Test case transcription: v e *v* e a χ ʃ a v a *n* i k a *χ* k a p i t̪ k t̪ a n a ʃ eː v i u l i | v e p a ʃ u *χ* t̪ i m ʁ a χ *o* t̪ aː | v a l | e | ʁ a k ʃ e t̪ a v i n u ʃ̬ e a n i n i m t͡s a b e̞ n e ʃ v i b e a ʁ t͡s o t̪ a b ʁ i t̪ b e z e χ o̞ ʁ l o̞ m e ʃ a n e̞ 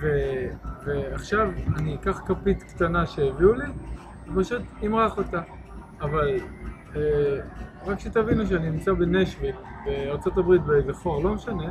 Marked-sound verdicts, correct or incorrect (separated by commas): correct, correct, correct, incorrect, correct